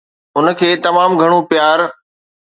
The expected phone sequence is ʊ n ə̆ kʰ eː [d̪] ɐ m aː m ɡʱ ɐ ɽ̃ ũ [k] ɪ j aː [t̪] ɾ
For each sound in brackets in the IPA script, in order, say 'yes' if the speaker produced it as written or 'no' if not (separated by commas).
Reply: no, no, no